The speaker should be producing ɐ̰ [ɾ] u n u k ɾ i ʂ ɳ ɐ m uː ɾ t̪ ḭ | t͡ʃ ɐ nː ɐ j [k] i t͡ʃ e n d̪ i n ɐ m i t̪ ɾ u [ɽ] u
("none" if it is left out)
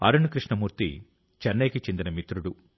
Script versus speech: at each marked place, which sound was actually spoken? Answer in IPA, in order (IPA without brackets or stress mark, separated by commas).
ɾ, k, ɽ